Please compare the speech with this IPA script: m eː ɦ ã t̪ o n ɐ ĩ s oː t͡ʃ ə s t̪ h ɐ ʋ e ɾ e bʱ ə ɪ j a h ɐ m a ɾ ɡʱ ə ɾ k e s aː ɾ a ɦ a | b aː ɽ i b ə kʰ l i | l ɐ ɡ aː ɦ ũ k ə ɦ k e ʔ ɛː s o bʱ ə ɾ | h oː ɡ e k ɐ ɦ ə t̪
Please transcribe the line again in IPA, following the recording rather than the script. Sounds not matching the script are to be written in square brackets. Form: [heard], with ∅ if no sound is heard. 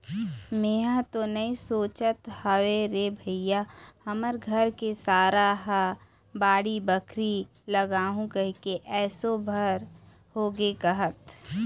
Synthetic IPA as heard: m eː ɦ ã t̪ o n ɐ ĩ s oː t͡ʃ ə [∅] t̪ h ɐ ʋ e ɾ e bʱ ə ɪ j a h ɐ m [ə] ɾ ɡʱ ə ɾ k e s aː ɾ a ɦ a | b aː ɽ i b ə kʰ [ɾ] i | l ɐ ɡ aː ɦ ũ k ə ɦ k e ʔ ɛː s o bʱ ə ɾ | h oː ɡ e k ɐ ɦ ə t̪